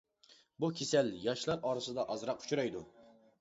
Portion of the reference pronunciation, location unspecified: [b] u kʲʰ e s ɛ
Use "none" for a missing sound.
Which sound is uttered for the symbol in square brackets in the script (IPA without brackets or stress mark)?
b